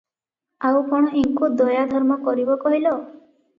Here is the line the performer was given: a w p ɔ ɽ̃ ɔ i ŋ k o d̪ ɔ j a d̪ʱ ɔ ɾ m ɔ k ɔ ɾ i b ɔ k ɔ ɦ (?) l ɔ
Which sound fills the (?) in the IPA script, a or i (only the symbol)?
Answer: i